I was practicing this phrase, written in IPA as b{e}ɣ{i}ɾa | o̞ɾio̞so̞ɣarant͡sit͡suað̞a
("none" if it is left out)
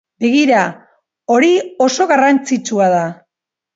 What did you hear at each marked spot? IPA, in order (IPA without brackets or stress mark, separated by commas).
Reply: e, i